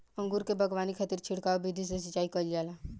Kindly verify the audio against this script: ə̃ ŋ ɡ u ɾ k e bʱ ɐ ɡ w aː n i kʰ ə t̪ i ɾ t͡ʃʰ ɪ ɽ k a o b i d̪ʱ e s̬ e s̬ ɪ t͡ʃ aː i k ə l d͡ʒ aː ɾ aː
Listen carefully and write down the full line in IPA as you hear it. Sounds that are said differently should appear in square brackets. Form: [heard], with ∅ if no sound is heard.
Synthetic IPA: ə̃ ŋ ɡ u ɾ k e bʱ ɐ ɡ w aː n i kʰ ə t̪ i ɾ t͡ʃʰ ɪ ɽ k a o b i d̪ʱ [i] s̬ e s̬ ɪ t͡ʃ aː i k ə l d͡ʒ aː [l] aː

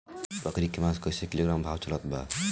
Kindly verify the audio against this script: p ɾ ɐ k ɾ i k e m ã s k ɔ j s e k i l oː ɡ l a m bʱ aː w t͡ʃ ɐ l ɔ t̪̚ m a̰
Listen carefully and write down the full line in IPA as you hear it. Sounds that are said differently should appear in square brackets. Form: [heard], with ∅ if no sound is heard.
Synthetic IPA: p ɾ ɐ k ɾ i k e m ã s k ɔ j s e k i l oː ɡ [ɾ] a m bʱ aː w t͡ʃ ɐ l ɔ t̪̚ [b] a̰

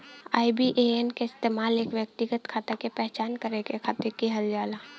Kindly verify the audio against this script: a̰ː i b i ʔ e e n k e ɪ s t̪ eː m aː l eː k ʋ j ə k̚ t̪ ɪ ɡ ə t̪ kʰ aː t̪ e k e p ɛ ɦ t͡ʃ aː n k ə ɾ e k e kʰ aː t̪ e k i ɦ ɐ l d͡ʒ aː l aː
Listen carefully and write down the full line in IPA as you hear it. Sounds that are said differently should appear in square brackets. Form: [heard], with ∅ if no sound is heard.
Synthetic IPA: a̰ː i b i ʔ e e n k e ɪ s t̪ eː m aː l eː k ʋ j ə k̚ t̪ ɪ ɡ ə t̪ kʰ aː t̪ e k e p ɛ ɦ t͡ʃ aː n k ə ɾ e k e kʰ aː t̪ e k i ɦ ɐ l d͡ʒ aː l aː

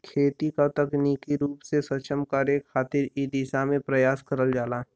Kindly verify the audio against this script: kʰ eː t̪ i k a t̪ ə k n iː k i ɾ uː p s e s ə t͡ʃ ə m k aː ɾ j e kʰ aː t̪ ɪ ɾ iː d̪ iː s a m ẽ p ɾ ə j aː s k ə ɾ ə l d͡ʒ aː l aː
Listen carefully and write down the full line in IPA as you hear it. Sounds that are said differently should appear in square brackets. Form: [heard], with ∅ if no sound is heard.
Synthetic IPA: kʰ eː t̪ i k a t̪ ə k n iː k i ɾ uː p s e s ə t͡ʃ ə m k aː ɾ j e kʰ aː t̪ ɪ ɾ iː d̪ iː s a m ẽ p ɾ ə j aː s k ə ɾ ə l d͡ʒ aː l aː

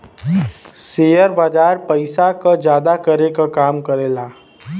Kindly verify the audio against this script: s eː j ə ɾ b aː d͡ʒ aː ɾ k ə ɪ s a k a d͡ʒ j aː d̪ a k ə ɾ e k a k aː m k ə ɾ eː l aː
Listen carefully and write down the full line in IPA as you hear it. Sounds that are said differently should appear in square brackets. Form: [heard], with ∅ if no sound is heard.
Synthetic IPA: s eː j ə ɾ b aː d͡ʒ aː ɾ [p] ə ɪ s a k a d͡ʒ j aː d̪ a k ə ɾ e k a k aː m k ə ɾ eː l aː

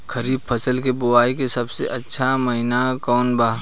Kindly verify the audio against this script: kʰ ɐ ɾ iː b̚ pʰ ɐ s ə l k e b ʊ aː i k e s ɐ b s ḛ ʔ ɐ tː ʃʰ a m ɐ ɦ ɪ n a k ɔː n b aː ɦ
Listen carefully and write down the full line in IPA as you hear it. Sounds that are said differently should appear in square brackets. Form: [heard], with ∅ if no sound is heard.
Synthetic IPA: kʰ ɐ ɾ iː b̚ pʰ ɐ s ə l k e b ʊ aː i k e s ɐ b s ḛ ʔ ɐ tː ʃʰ a m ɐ ɦ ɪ n a k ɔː n b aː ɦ

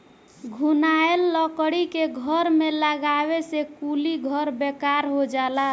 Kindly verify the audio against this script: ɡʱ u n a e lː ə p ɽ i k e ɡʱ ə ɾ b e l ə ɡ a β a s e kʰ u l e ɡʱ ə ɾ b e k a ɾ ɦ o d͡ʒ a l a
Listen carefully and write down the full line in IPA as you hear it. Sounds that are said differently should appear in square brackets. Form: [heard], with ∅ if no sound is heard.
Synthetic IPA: ɡʱ u n a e lː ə [k] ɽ i k e ɡʱ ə ɾ [m] e l ə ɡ a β [e] s e [k] u l [i] ɡʱ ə ɾ b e k a ɾ ɦ o d͡ʒ a l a

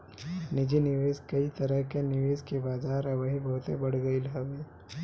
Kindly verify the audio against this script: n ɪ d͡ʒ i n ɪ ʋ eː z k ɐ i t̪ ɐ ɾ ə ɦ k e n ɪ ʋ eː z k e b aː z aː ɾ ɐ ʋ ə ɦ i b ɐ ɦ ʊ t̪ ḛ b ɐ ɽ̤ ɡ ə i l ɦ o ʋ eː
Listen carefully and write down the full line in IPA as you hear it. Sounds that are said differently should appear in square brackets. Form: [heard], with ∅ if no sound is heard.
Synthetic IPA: n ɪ d͡ʒ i n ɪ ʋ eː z k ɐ i t̪ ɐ ɾ ə ɦ k e n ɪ ʋ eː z k e b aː z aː ɾ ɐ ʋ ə ɦ i b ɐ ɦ ʊ t̪ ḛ b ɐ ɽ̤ ɡ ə i l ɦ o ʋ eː

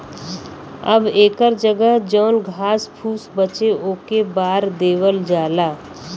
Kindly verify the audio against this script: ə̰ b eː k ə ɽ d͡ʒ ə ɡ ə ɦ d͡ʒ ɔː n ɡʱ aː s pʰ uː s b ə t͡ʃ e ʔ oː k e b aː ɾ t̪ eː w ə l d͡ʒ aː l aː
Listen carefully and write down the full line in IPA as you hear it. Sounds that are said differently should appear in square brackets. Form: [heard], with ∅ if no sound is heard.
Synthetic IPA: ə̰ b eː k ə [ɾ] d͡ʒ ə ɡ ə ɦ d͡ʒ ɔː n ɡʱ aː s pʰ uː s b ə t͡ʃ e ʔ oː k e b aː ɾ [d̪] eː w ə l d͡ʒ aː l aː

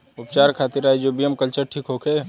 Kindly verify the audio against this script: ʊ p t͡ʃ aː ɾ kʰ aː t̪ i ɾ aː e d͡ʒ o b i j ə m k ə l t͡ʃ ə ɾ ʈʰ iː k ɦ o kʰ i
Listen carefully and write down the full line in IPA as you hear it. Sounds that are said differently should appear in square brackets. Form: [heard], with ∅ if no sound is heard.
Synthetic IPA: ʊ p t͡ʃ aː ɾ kʰ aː t̪ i ɾ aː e d͡ʒ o b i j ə m k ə l t͡ʃ ə ɾ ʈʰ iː k ɦ o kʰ [e]

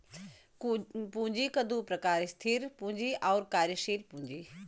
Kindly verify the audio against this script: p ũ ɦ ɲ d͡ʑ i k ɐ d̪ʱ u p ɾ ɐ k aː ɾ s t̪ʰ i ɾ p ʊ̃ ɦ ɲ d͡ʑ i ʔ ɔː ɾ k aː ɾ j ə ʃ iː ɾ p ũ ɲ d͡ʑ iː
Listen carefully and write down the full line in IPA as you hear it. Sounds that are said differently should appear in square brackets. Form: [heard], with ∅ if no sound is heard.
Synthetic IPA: p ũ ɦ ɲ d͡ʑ i k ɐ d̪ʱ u p ɾ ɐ k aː ɾ s t̪ʰ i ɾ p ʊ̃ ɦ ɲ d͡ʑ i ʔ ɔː ɾ k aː ɾ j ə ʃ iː ɾ p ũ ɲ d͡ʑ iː

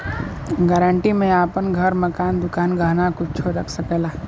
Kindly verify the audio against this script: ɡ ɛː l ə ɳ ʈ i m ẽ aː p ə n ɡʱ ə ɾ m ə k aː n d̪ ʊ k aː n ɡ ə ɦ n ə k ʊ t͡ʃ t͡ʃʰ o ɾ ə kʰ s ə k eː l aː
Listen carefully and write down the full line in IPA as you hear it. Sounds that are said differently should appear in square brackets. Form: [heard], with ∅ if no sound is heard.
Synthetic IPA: ɡ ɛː [ɾ] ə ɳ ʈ i m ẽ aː p ə n ɡʱ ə ɾ m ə k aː n d̪ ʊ k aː n ɡ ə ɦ n [a] k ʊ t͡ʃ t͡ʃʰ o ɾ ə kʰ s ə k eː l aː

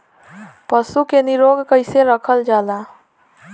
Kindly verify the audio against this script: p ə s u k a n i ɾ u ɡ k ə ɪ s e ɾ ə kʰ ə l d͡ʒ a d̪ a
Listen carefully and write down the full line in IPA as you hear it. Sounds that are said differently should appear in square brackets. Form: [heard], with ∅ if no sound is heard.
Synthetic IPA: p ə s u k [e] n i ɾ [o] ɡ k ə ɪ s e ɾ ə kʰ ə l d͡ʒ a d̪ a

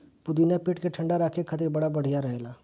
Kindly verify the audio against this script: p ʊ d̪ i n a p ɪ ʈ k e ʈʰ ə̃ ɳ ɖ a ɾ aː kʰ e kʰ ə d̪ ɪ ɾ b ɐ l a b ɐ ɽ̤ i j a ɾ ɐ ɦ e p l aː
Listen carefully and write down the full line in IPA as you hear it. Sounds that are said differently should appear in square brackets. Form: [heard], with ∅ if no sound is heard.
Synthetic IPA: p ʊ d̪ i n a p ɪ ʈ k e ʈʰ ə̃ ɳ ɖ a ɾ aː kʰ e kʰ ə [t̪] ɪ ɾ b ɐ [ɽ] a b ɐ ɽ̤ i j a ɾ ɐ ɦ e [∅] l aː

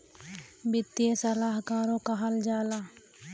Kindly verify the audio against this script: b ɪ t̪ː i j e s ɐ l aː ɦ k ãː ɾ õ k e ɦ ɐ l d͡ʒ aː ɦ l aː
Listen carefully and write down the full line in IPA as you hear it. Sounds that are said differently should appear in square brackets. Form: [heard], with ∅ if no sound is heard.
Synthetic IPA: b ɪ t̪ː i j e s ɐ l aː ɦ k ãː ɾ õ k [a] ɦ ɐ l d͡ʒ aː [∅] l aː

